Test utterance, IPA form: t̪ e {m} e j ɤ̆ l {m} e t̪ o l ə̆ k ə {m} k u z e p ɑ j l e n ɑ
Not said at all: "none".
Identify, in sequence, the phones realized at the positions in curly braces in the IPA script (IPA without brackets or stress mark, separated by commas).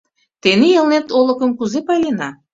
n, n, m